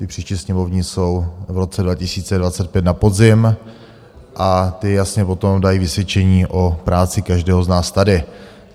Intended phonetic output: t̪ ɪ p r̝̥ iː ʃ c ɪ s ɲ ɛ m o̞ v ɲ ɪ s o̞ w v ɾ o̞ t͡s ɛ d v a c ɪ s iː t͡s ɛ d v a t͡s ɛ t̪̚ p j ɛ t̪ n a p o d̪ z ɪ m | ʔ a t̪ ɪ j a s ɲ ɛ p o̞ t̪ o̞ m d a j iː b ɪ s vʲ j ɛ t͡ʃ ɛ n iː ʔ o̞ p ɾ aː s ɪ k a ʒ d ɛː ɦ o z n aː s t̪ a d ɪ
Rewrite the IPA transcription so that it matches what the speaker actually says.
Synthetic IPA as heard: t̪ ɪ p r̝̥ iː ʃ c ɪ s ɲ ɛ m o̞ v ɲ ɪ s o̞ w v ɾ o̞ t͡s ɛ d v a c ɪ s iː t͡s ɛ d v a t͡s ɛ t̪̚ p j ɛ t̪ n a p o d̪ z ɪ m | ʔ a t̪ ɪ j a s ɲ ɛ p o̞ t̪ o̞ m d a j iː v ɪ s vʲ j ɛ t͡ʃ ɛ ɲ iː ʔ o̞ p ɾ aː t͡s ɪ k a ʒ d ɛː ɦ o z n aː s t̪ a d ɪ

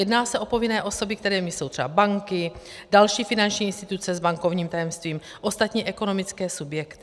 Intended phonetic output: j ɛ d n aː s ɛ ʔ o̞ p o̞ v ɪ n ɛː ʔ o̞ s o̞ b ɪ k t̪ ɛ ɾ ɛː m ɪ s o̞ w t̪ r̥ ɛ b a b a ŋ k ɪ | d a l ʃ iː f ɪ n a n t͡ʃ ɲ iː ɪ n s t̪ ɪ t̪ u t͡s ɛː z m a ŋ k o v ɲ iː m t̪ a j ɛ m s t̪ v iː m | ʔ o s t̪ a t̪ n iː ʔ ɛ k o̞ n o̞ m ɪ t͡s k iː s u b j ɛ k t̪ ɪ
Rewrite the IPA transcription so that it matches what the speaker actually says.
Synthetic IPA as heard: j ɛ d n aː s ɛ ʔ o̞ p o̞ v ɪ n ɛː ʔ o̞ s o̞ b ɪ k t̪ ɛ ɾ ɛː m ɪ s o̞ w t̪ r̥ ɛ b a b a ŋ k ɪ | d a l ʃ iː f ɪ n a n t͡ʃ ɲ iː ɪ n s t̪ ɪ t̪ u t͡s ɛ z b a ŋ k o v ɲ iː m t̪ a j ɛ m s t̪ v iː m | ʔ o s t̪ a t̪ ɲ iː ʔ ɛ k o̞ n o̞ m ɪ t͡s k ɛː s u b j ɛ k t̪ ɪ

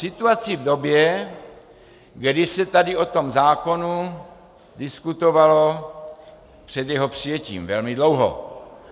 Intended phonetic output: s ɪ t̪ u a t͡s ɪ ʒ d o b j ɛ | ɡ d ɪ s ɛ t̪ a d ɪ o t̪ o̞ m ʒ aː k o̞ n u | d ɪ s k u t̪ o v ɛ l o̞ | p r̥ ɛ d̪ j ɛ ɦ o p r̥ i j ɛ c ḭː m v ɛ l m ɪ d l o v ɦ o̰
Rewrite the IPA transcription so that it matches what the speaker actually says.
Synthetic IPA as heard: s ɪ t̪ u a t͡s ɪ v d o b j ɛ | ɡ d ɪ s ɛ t̪ a d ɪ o t̪ o̞ m z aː k o̞ n u | d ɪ s k u t̪ o v a l o̞ | p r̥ ɛ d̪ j ɛ ɦ o p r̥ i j ɛ c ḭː m v ɛ l m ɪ d l o w ɦ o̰

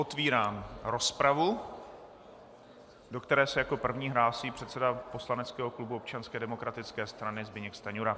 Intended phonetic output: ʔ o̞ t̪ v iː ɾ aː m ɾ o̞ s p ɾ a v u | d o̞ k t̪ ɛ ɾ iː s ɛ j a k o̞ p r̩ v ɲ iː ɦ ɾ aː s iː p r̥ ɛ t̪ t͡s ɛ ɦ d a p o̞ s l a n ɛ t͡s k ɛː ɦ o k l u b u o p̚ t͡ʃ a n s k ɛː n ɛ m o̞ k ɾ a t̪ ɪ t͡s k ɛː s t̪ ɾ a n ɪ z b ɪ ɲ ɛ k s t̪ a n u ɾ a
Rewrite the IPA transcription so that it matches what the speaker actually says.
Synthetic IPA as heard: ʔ o̞ t̪ v iː ɾ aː m ɾ o̞ s p ɾ a v u | d o̞ k t̪ ɛ ɾ ɛː s ɛ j a k o̞ p r̩ v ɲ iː ɦ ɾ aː s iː p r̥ ɛ t̪ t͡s ɛ d a p o̞ s l a n ɛ t͡s k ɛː ɦ o k l u b u o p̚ t͡ʃ a n s k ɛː d ɛ m o̞ k ɾ a t̪ ɪ t͡s k ɛː s t̪ ɾ a n ɪ z b ɪ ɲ ɛ k s t̪ a ɲ u ɾ a

